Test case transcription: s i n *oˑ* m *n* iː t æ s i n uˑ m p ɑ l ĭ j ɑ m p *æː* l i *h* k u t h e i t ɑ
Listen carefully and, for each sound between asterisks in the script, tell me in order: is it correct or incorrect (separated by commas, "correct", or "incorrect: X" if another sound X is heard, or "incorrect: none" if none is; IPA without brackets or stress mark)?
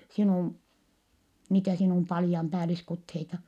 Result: incorrect: uˑ, correct, correct, incorrect: s